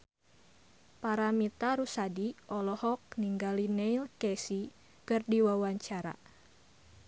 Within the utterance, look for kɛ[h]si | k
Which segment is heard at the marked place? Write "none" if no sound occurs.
none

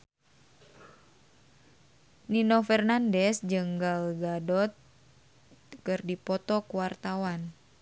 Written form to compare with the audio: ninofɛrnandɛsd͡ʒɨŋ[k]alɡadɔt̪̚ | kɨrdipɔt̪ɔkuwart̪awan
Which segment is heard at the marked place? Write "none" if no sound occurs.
ɡ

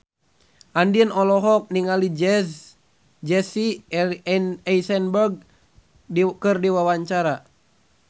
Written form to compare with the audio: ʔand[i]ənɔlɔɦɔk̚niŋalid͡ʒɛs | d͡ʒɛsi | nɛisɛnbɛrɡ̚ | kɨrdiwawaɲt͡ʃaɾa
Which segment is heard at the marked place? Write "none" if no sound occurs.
i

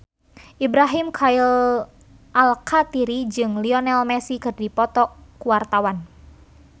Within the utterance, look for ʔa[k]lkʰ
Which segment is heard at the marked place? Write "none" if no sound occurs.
none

